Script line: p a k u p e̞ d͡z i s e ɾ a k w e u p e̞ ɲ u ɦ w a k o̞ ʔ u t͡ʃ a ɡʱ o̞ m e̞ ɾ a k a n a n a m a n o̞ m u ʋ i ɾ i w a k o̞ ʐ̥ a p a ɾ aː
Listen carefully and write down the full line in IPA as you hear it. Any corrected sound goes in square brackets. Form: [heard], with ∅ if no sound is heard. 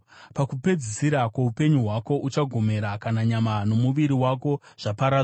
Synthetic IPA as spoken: p a k u p e̞ d͡z i s [i] ɾ a k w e u p e̞ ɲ u ɦ w a k o̞ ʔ u t͡ʃ a ɡʱ o̞ m e̞ ɾ a k a n a [ɲ] a m a n o̞ m u ʋ i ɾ i w a k o̞ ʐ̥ a p a ɾ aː